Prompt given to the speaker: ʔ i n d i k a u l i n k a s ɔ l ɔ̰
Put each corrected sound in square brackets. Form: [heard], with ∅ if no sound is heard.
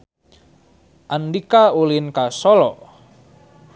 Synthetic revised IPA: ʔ [a] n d i k a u l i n k a s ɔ l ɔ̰